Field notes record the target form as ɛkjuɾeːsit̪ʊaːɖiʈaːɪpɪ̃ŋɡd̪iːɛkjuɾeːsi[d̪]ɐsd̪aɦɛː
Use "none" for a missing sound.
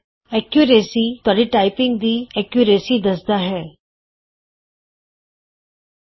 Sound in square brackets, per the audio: d̪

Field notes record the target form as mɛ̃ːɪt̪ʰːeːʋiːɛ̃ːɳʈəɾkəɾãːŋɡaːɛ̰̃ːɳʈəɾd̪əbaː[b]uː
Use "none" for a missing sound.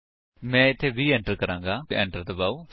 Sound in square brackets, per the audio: none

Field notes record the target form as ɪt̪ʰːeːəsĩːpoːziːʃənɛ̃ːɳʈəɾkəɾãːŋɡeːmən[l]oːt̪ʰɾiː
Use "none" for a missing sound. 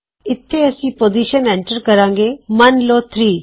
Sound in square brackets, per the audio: l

